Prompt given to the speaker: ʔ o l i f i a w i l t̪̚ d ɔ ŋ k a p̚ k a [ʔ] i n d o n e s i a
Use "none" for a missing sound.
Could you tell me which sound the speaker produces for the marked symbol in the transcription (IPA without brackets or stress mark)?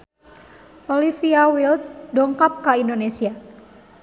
none